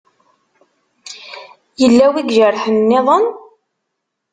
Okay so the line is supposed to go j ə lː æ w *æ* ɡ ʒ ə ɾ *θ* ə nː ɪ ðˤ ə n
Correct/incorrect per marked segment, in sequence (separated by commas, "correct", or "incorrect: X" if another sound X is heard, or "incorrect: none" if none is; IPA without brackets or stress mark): incorrect: i, incorrect: ħ